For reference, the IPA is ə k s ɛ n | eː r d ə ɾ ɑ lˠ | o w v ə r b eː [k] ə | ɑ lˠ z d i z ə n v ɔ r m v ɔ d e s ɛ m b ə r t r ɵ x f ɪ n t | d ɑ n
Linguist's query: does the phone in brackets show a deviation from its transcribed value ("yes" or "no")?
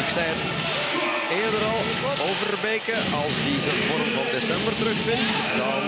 no